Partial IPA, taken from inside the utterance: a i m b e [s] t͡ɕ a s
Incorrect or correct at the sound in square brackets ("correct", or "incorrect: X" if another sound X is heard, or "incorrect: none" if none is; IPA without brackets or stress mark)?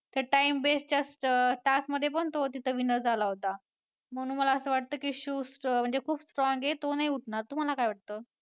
correct